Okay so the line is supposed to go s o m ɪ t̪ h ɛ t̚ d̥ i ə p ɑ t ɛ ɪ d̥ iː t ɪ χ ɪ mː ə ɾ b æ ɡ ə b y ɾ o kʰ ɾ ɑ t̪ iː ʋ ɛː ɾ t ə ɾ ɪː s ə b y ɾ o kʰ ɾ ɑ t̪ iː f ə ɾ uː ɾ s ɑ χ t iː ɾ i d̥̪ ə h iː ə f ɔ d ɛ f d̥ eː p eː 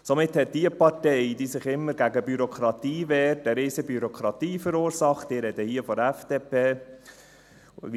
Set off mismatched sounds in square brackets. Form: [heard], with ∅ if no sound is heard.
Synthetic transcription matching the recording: s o m ɪ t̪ h ɛ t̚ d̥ i ə p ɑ t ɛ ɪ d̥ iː [s] ɪ χ ɪ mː ə ɾ [ɡ] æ ɡ ə b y ɾ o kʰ ɾ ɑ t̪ iː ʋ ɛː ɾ t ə ɾ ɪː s ə b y ɾ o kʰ ɾ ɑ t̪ iː f ə ɾ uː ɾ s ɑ χ t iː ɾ [ɛ] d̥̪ ə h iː ə f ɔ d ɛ f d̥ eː p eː